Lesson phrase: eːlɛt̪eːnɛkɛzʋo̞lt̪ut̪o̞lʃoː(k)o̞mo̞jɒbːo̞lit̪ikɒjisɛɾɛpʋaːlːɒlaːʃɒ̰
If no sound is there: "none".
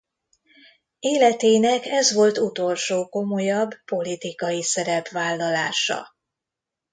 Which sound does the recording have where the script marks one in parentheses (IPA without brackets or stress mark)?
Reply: k